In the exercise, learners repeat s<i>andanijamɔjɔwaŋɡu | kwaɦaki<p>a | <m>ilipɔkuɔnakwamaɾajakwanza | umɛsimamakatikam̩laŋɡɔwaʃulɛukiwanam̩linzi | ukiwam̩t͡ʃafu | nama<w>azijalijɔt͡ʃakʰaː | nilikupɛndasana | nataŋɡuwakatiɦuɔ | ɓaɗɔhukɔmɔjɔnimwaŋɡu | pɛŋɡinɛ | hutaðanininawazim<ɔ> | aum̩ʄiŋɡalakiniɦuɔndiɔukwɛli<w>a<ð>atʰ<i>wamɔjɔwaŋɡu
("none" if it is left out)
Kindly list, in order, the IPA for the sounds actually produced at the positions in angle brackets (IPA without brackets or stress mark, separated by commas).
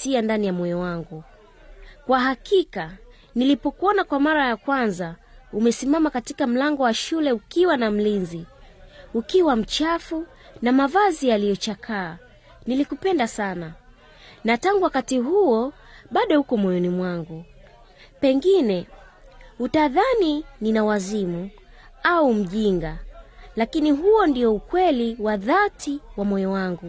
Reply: i, k, n, v, u, w, ð, i